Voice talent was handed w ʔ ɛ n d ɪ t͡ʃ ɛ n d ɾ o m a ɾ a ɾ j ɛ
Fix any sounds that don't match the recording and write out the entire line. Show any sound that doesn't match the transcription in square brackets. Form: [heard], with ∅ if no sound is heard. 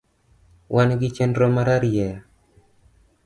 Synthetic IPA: w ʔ [a] n [ɡ] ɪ t͡ʃ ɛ n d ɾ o m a ɾ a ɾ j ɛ